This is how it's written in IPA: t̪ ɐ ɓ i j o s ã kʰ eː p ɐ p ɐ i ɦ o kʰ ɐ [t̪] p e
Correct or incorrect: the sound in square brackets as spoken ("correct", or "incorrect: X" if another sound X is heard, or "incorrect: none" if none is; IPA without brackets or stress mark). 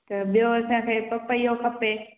incorrect: none